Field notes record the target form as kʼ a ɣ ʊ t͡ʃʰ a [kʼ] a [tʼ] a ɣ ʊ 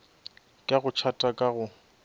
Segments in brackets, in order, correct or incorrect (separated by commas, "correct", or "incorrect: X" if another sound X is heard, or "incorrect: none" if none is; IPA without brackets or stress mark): incorrect: tʼ, incorrect: kʼ